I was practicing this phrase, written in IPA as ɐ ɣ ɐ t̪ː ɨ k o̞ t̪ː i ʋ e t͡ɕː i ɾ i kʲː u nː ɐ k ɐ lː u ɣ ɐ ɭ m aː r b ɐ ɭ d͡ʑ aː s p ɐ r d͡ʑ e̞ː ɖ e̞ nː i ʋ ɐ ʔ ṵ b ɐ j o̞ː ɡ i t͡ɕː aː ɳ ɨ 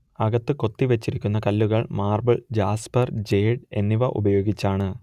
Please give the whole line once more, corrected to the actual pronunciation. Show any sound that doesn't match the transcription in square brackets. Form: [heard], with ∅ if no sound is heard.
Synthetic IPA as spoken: ɐ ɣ ɐ t̪ː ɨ k o̞ t̪ː i ʋ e t͡ɕː i ɾ i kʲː u nː ɐ k ɐ lː u ɣ ɐ ɭ m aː r b ɐ ɭ d͡ʑ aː s p ɐ r d͡ʑ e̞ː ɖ e̞ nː i ʋ ɐ ʔ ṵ b ɐ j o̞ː ɡ i t͡ɕː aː ɳ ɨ

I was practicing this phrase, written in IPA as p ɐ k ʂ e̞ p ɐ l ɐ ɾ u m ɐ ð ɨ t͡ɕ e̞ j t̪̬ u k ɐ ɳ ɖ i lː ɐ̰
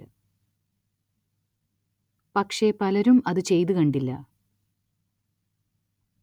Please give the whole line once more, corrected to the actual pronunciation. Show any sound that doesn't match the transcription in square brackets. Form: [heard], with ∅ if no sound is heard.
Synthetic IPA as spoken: p ɐ k ʂ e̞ p ɐ l ɐ ɾ u m ɐ ð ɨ t͡ɕ e̞ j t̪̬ u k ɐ ɳ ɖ i lː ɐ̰

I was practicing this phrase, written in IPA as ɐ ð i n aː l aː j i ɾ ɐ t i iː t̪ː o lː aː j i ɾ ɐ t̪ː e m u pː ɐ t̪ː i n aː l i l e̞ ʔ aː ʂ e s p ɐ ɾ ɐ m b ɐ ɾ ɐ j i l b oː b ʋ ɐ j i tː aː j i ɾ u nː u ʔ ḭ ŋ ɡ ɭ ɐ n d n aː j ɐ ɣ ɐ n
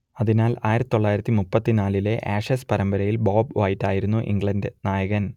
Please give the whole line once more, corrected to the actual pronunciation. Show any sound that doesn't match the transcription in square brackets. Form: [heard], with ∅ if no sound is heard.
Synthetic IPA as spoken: ɐ ð i n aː l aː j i ɾ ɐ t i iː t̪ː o [ɭː] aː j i ɾ ɐ t̪ː [i] m u pː ɐ t̪ː i n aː l i l e̞ ʔ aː ʂ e s p ɐ ɾ ɐ m b ɐ ɾ ɐ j i l b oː b ʋ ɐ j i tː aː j i ɾ u nː u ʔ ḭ ŋ ɡ ɭ ɐ n d n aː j ɐ ɣ ɐ n

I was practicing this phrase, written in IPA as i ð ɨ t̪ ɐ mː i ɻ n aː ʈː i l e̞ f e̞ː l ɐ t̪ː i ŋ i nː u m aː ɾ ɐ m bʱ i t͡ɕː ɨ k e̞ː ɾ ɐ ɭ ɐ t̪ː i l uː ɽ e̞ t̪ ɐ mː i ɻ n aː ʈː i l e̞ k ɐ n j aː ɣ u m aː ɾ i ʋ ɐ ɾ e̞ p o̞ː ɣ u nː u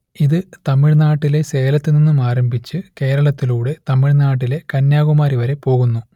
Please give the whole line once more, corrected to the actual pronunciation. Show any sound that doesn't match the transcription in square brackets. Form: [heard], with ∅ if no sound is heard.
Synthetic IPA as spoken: i ð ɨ t̪ ɐ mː i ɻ n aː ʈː i l e̞ [s] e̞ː l ɐ t̪ː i [n] i nː u m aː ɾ ɐ m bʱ i t͡ɕː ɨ k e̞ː ɾ ɐ ɭ ɐ t̪ː i l uː ɽ e̞ t̪ ɐ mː i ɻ n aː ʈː i l e̞ k ɐ n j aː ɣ u m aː ɾ i ʋ ɐ ɾ e̞ p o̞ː ɣ u nː u

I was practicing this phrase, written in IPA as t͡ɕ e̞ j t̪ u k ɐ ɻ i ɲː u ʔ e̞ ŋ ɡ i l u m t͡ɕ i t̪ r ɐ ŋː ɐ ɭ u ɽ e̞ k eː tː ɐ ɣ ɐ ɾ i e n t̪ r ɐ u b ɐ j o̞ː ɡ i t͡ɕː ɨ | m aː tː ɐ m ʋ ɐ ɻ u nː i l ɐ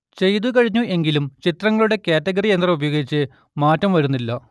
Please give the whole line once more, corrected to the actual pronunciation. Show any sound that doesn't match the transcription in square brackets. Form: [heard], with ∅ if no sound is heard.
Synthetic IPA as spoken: t͡ɕ e̞ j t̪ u k ɐ ɻ i ɲː u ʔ e̞ ŋ ɡ i l u m t͡ɕ i t̪ r ɐ ŋː ɐ ɭ u ɽ e̞ k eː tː ɐ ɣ ɐ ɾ i e n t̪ r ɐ u b ɐ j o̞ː ɡ i t͡ɕː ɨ | m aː tː ɐ m ʋ ɐ ɻ u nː i [lː] ɐ

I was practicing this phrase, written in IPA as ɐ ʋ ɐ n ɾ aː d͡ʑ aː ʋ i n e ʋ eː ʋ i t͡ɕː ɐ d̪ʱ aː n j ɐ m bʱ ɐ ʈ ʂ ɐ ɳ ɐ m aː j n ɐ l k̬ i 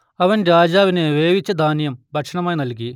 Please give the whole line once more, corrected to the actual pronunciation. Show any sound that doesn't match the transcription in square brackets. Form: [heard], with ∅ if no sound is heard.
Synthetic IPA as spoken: ɐ ʋ ɐ n ɾ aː d͡ʑ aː ʋ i n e ʋ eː ʋ i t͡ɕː ɐ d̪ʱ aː n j ɐ m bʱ ɐ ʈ ʂ ɐ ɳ ɐ m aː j n ɐ l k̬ i

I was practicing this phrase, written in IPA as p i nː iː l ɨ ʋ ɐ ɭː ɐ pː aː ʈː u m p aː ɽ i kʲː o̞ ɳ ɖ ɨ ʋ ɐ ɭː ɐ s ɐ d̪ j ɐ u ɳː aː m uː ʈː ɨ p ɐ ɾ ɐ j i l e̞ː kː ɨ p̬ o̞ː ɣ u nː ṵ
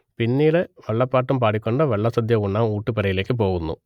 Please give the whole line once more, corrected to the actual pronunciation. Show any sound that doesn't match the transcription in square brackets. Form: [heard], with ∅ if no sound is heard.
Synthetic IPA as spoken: p i nː iː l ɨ ʋ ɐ ɭː ɐ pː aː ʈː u m p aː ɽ i kʲː o̞ ɳ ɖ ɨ ʋ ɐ ɭː ɐ s ɐ d̪ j ɐ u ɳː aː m uː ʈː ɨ p ɐ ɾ ɐ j i l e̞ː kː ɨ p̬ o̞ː ɣ u nː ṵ

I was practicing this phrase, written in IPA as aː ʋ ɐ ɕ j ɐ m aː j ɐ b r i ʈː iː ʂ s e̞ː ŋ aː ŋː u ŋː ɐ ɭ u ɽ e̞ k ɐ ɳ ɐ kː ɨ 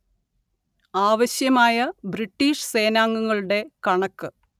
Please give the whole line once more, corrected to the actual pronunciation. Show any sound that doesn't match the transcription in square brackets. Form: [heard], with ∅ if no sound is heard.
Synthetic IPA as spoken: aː ʋ ɐ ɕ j ɐ m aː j ɐ b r i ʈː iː ʂ s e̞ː [n] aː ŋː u ŋː ɐ ɭ u ɽ e̞ k ɐ ɳ ɐ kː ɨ

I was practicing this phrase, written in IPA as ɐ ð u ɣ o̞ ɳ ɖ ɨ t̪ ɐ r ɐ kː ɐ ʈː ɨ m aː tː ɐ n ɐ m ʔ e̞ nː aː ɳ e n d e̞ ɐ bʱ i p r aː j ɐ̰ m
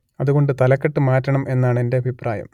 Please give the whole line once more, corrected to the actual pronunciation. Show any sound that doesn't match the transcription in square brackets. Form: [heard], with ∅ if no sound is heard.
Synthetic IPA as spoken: ɐ ð u ɣ o̞ ɳ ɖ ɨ t̪ ɐ [l] ɐ kː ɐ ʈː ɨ m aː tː ɐ [ɳ] ɐ m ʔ e̞ nː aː ɳ e n d e̞ ɐ bʱ i p r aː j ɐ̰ m

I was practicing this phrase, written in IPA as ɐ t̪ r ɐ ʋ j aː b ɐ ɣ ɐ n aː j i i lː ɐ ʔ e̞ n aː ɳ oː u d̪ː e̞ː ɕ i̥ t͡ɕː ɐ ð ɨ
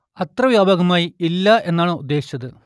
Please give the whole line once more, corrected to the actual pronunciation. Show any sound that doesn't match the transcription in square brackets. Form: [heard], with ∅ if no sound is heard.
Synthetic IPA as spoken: ɐ t̪ r ɐ ʋ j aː b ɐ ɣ ɐ [m] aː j i i lː ɐ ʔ e̞ [nː] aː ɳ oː u d̪ː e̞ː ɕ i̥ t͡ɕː ɐ ð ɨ

